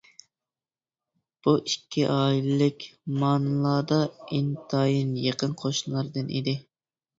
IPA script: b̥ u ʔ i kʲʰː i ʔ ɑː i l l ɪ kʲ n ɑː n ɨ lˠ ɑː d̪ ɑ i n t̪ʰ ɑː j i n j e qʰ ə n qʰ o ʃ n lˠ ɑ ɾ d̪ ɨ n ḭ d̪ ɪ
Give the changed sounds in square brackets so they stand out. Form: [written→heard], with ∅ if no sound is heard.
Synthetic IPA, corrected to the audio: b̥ u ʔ i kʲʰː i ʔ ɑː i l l ɪ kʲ [n→m] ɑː n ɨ lˠ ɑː d̪ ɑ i n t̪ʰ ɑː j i n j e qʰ ə n qʰ o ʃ n lˠ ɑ ɾ d̪ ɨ n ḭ d̪ ɪ